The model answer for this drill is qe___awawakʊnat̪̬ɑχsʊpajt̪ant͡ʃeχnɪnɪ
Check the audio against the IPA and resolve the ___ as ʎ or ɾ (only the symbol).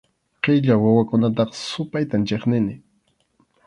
ʎ